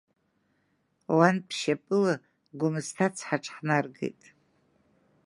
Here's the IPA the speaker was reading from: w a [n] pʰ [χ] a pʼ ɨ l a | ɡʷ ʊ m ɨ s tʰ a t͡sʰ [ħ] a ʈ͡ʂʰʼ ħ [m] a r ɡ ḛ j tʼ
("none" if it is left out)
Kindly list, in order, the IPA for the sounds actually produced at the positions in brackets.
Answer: n, ʃ, ħ, n

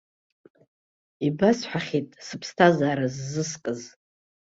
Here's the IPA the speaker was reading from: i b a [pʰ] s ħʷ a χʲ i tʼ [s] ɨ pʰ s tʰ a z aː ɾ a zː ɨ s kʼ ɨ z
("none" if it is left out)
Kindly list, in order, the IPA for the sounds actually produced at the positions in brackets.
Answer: none, s

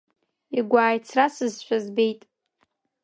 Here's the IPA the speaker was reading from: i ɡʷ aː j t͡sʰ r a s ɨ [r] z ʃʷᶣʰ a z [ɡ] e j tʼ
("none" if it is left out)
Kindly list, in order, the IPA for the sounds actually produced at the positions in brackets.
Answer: none, b

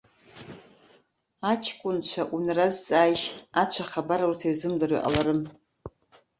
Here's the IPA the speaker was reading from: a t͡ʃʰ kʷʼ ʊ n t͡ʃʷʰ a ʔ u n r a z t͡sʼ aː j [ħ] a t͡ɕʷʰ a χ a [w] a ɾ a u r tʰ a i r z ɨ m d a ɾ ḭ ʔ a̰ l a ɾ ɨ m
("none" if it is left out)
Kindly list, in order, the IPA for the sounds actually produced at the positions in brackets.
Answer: ʃ, b

